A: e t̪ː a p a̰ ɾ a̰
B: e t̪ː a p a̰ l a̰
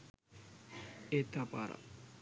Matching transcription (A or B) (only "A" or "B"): A